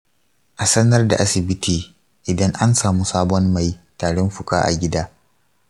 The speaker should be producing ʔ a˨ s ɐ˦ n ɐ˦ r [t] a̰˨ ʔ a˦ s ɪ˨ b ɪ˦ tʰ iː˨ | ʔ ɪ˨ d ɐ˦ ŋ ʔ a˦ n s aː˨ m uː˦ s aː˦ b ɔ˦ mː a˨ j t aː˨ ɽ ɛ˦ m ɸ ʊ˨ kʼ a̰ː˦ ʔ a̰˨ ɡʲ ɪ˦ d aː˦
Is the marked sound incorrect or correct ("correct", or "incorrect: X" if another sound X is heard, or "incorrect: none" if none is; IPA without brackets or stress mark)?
incorrect: d